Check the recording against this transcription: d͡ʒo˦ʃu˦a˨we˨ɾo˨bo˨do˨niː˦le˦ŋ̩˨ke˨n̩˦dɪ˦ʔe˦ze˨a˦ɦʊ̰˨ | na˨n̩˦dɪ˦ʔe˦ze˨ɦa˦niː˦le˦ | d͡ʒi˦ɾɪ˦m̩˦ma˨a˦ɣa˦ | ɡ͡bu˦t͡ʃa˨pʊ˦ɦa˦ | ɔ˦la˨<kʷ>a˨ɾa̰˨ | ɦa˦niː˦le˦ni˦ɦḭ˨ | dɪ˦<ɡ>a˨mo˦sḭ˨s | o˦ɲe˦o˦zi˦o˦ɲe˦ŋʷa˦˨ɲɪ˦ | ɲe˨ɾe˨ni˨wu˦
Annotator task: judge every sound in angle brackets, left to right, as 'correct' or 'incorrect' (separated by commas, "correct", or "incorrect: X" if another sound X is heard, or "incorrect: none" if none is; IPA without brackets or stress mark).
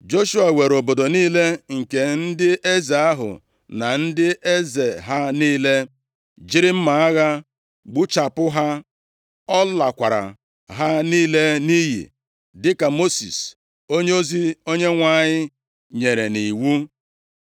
correct, incorrect: k